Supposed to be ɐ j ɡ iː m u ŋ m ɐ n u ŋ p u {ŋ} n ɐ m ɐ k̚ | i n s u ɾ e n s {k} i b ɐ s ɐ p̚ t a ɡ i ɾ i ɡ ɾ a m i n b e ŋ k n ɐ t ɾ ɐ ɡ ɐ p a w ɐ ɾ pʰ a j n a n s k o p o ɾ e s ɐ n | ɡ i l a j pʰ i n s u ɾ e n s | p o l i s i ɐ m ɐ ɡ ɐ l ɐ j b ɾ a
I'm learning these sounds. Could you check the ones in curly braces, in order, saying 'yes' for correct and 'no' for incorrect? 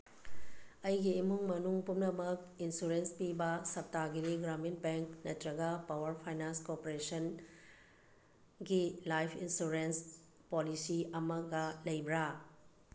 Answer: no, no

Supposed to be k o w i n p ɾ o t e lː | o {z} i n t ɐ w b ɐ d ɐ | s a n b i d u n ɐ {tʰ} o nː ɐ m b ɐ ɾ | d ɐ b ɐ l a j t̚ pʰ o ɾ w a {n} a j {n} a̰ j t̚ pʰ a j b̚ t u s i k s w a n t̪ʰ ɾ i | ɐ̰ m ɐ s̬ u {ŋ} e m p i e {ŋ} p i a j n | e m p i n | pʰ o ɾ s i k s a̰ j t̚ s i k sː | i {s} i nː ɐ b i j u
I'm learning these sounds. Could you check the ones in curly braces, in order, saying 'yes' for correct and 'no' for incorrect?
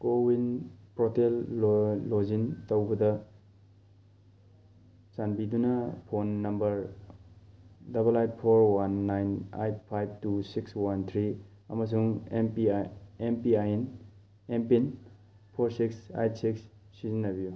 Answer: yes, no, no, yes, yes, no, no

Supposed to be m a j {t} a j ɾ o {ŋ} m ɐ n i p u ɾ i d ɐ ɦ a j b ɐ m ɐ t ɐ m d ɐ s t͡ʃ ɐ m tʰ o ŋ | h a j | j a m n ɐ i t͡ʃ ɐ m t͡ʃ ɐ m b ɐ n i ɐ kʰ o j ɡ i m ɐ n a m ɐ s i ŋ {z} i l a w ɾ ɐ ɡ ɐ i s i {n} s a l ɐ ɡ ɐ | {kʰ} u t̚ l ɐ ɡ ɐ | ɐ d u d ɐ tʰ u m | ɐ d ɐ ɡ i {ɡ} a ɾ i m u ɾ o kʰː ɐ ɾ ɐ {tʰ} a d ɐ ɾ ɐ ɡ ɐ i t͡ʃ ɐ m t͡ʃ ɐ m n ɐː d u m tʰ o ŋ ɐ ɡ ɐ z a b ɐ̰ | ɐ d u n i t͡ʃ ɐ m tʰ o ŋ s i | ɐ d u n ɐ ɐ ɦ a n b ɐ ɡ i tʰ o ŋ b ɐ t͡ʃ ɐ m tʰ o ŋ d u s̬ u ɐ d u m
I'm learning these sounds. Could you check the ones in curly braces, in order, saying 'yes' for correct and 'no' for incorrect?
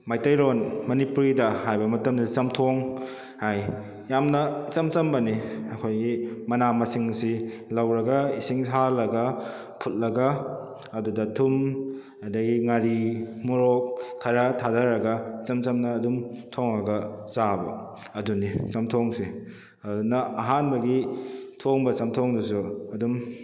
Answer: yes, no, no, no, no, no, yes

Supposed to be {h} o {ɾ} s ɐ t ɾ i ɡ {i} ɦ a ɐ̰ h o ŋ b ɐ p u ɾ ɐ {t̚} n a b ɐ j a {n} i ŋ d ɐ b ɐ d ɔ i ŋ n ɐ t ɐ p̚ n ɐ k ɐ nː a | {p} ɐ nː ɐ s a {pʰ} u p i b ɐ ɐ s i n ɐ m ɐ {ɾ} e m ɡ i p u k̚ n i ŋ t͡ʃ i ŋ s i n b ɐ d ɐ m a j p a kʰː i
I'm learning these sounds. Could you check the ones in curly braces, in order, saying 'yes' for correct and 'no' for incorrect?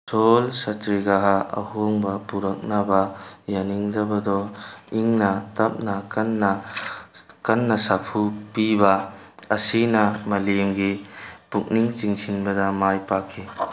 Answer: no, no, no, no, yes, no, yes, no

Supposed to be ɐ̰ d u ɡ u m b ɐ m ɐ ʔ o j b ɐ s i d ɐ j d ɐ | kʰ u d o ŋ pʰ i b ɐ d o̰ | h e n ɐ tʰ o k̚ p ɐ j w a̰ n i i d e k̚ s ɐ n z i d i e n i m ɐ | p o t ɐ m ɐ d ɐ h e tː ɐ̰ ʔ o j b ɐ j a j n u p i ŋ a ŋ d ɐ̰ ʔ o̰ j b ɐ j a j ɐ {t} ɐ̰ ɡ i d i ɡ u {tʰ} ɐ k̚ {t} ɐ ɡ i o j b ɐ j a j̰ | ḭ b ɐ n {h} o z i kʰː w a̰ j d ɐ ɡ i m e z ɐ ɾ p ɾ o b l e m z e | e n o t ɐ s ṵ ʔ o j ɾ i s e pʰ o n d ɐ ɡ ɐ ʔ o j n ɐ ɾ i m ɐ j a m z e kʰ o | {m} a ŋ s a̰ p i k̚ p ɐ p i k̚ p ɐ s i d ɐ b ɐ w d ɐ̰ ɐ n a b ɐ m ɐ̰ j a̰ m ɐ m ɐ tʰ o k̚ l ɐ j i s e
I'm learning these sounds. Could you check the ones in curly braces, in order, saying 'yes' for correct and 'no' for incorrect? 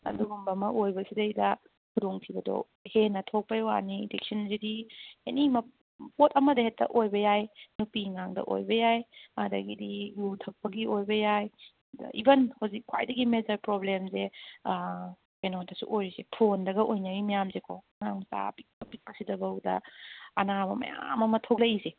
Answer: no, yes, no, yes, no

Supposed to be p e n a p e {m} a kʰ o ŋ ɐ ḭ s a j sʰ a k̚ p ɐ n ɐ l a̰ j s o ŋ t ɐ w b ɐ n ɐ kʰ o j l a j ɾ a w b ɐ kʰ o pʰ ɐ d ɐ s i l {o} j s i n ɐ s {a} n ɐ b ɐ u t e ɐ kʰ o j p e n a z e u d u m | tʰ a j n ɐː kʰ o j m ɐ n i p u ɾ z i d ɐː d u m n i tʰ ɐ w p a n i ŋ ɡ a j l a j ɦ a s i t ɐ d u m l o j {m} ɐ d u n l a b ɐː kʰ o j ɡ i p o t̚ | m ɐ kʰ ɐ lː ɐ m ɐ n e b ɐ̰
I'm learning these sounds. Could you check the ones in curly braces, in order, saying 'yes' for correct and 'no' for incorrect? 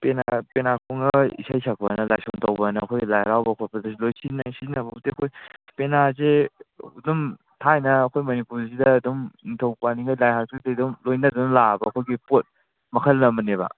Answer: no, yes, no, no

